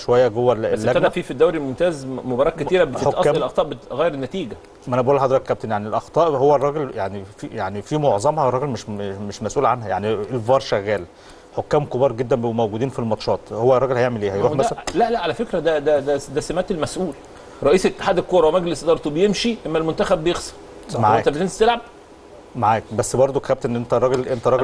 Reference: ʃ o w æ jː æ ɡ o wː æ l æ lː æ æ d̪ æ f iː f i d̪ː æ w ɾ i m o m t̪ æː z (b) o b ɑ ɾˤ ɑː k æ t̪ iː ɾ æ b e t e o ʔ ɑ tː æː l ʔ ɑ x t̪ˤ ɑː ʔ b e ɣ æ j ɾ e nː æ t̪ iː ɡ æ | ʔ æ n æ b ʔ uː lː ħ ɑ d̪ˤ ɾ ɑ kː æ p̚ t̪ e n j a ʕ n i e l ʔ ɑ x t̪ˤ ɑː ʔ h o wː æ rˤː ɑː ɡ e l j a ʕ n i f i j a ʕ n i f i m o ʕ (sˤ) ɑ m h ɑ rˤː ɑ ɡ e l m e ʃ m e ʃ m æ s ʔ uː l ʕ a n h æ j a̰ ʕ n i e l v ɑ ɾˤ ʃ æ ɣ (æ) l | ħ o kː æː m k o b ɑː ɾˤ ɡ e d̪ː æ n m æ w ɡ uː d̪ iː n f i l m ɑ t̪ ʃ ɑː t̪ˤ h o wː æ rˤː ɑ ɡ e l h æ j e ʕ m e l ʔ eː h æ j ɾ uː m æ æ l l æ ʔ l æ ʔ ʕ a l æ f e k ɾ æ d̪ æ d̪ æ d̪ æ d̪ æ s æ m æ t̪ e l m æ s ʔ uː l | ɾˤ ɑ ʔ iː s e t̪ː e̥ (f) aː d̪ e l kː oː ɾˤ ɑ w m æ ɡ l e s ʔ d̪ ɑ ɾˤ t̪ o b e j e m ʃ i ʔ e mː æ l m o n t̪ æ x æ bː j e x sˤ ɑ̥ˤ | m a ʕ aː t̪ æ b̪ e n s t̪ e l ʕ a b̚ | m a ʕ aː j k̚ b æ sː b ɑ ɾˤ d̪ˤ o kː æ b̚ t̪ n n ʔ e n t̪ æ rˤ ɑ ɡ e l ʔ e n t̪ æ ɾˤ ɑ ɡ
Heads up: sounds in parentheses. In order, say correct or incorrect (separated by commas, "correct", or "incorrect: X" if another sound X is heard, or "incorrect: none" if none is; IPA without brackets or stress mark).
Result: incorrect: m, incorrect: zˤ, incorrect: æː, incorrect: ħ